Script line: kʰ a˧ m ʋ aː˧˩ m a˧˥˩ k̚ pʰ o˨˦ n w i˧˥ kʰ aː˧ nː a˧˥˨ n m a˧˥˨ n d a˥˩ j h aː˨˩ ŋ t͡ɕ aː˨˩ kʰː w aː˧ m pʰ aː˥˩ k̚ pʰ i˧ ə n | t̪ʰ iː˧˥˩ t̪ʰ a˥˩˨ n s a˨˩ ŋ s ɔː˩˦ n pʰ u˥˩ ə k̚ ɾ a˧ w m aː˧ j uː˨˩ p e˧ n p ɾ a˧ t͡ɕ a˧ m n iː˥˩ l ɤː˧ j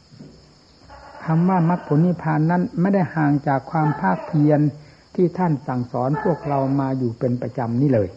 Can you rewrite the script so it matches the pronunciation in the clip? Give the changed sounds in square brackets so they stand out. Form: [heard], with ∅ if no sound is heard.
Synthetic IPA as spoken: kʰ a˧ m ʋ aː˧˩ m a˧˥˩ k̚ pʰ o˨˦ n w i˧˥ [pʰ] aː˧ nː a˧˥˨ n m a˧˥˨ n d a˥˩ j h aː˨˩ ŋ t͡ɕ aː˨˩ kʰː w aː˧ m pʰ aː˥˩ k̚ pʰ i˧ ə n | t̪ʰ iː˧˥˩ t̪ʰ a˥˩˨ n s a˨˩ ŋ s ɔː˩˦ n pʰ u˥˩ ə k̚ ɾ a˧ w m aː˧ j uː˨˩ p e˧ n p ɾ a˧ t͡ɕ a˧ m n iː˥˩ l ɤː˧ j